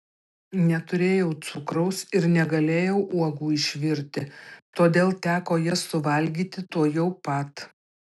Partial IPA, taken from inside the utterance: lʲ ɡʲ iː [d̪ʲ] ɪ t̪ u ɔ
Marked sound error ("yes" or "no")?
yes